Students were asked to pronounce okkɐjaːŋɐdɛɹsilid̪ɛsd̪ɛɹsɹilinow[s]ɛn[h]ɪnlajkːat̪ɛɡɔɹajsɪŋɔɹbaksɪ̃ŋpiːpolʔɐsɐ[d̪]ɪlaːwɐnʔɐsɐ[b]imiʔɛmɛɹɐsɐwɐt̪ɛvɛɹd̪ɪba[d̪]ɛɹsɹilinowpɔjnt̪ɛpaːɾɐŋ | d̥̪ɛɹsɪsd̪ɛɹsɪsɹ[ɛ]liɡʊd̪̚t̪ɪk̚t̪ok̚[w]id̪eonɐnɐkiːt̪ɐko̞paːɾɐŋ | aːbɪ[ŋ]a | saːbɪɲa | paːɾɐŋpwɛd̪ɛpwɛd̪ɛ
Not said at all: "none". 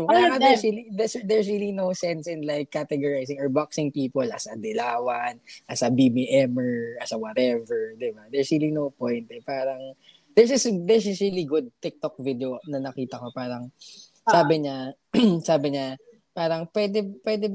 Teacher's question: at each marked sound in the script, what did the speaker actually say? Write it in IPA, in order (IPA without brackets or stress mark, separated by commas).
s, s, d̪, b, d̪, i, v, ɲ